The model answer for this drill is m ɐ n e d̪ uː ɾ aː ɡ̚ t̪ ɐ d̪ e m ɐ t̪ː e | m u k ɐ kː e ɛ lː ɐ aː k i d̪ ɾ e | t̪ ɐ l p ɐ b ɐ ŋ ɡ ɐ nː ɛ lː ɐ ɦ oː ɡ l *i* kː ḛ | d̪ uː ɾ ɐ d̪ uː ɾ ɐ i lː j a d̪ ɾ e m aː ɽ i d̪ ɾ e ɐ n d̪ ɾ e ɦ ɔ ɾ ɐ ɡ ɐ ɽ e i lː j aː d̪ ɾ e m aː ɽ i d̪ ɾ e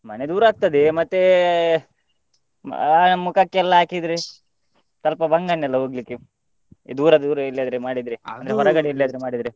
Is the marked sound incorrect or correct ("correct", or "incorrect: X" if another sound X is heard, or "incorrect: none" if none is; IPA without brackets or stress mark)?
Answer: correct